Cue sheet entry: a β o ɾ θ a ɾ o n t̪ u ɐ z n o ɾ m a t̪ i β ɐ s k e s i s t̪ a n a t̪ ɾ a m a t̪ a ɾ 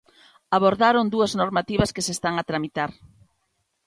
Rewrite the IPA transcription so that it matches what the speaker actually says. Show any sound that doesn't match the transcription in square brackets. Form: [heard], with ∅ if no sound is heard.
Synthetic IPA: a β o ɾ [ð] a ɾ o n [d̪] u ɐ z n o ɾ m a t̪ i β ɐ s k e s [e] s t̪ a [ŋ] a t̪ ɾ a m [i] t̪ a ɾ